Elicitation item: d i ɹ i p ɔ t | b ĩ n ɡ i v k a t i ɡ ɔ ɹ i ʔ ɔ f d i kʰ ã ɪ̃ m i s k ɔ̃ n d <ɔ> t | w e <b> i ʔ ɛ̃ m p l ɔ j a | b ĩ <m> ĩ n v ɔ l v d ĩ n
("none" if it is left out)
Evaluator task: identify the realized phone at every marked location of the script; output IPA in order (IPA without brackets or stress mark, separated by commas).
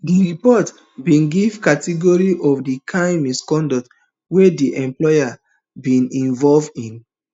ɔ, d, n